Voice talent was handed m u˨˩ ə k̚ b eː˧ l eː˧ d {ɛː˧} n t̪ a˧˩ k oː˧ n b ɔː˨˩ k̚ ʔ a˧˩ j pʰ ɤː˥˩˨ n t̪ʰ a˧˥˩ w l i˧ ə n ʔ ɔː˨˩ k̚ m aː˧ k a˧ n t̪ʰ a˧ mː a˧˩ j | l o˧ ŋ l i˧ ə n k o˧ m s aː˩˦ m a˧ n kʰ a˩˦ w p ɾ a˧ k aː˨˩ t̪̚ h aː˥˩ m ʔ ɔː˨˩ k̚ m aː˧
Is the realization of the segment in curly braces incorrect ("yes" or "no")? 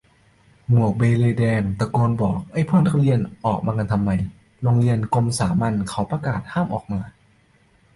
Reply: no